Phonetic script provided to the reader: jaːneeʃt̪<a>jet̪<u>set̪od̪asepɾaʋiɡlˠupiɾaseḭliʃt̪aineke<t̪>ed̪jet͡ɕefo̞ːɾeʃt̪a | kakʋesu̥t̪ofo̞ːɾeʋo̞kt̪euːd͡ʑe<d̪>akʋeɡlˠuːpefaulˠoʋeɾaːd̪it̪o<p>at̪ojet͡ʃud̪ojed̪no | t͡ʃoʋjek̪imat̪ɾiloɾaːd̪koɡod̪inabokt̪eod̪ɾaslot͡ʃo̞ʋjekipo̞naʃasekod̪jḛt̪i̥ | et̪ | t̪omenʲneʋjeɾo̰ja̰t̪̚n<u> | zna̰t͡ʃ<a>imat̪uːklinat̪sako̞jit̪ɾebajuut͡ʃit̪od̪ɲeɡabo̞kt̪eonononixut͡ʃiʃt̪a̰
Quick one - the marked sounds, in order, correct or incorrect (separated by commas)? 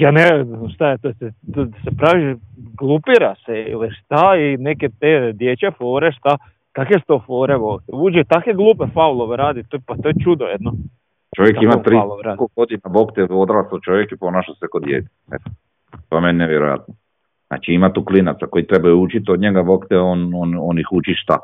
correct, incorrect, correct, incorrect, correct, incorrect, incorrect